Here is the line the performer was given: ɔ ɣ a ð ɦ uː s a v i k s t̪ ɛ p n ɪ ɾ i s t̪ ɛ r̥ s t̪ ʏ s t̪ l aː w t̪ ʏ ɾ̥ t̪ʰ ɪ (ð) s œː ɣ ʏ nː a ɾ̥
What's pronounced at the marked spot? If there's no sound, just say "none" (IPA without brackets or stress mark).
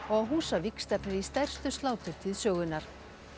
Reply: ð